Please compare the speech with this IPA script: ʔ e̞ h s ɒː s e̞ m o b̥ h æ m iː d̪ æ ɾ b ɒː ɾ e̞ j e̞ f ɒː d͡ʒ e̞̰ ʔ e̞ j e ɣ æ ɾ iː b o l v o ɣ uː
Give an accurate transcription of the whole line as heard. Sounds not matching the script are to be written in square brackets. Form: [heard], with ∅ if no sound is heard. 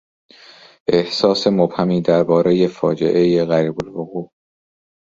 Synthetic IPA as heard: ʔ e̞ h s ɒː s e̞ m o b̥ h æ m iː d̪ æ ɾ b ɒː ɾ e̞ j e̞ f ɒː d͡ʒ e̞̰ ʔ e̞ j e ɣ æ ɾ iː b o l v o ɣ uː